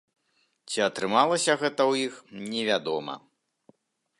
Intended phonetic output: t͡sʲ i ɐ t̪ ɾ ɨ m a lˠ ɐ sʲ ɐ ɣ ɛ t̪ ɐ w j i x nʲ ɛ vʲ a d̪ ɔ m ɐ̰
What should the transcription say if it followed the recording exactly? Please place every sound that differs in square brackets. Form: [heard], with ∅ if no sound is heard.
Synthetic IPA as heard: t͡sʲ i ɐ t̪ ɾ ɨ m a lˠ ɐ sʲ ɐ ɣ ɛ t̪ ɐ w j i x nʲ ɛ vʲ a d̪ ɔ m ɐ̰